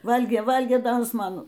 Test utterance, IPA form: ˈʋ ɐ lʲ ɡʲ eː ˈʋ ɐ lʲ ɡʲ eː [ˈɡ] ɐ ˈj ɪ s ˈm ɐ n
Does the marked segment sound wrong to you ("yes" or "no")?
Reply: yes